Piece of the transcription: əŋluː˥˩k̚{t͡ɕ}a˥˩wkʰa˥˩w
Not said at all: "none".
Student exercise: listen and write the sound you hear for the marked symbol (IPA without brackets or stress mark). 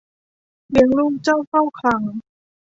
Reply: t͡ɕ